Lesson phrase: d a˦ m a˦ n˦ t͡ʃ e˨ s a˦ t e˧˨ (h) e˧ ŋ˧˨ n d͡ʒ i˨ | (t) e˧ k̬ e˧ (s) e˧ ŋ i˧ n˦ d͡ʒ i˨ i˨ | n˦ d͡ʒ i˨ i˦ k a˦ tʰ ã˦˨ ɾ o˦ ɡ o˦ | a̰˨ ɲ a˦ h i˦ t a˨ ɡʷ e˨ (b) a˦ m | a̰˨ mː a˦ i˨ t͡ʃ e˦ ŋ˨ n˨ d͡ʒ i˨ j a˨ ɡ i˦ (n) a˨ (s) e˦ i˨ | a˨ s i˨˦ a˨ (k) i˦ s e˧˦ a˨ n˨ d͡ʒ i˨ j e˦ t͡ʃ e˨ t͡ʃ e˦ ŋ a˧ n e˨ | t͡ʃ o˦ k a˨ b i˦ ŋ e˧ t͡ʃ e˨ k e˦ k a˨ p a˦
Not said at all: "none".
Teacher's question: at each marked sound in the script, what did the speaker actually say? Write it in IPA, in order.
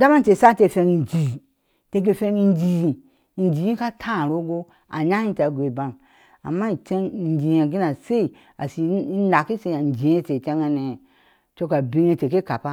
f, t, f, b, n, s, k

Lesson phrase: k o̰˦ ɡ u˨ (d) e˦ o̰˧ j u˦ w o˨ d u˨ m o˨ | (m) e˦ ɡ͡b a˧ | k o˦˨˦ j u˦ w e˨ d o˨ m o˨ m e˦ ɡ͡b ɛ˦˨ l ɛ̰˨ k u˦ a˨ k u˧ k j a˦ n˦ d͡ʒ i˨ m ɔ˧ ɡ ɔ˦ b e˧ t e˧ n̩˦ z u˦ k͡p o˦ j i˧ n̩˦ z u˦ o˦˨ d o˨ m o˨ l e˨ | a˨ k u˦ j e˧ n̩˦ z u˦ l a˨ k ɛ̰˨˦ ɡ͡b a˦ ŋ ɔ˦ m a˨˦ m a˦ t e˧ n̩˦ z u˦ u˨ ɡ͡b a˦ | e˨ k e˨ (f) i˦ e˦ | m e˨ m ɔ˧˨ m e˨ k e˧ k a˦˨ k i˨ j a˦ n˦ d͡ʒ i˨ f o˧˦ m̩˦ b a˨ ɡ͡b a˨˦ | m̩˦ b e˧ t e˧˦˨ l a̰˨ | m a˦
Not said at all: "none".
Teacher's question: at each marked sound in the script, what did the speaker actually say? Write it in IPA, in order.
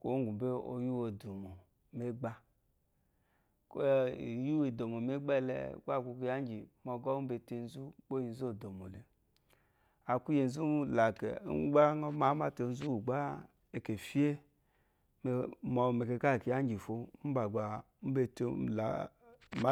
b, m, f

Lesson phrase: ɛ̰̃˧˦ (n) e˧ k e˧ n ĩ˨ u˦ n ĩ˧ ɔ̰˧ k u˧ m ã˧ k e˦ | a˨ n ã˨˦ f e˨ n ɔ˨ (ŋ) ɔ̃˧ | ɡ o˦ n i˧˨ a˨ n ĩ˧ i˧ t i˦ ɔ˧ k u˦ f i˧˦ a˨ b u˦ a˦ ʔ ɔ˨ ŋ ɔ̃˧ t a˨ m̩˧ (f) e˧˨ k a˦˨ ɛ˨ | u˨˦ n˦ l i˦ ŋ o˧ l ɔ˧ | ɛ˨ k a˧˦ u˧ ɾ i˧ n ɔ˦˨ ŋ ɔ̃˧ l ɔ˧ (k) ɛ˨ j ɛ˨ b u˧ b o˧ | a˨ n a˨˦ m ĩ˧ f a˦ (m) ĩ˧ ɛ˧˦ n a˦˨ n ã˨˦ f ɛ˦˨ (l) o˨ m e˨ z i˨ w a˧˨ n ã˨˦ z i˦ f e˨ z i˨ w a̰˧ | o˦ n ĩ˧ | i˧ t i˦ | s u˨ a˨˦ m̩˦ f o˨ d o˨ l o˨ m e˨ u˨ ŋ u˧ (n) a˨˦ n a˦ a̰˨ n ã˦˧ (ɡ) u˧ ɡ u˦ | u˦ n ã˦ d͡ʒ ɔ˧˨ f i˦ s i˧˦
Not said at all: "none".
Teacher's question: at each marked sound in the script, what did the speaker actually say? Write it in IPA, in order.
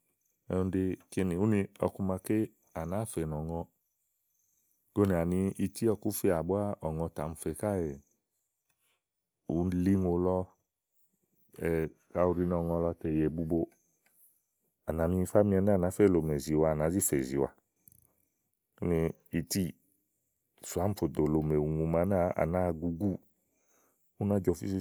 d, ŋ, f, t, m, l, m, ɡ

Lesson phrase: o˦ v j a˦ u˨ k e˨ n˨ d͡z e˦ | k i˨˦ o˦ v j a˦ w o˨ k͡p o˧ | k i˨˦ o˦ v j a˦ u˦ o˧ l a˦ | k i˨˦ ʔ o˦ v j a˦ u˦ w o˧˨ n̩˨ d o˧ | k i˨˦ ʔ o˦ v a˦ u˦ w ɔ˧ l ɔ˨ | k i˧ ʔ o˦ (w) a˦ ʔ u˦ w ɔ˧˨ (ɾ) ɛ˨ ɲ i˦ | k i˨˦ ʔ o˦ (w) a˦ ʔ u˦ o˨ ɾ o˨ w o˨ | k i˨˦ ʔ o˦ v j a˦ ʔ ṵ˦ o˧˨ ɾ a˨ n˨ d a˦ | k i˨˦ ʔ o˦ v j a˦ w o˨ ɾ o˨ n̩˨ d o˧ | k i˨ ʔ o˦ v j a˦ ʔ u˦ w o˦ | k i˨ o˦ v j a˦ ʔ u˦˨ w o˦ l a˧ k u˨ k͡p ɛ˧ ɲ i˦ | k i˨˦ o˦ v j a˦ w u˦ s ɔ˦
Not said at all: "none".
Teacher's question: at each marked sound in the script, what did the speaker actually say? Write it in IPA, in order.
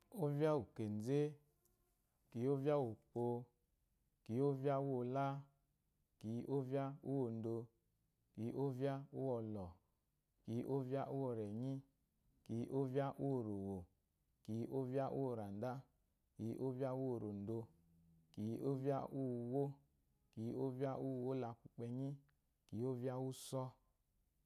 v, ɾ, v

